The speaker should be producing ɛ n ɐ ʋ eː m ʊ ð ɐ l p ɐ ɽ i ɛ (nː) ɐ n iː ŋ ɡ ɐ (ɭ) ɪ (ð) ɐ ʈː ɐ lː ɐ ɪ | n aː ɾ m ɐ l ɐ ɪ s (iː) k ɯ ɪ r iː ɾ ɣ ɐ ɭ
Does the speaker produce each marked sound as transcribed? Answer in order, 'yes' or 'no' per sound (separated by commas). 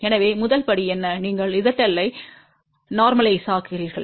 yes, yes, yes, no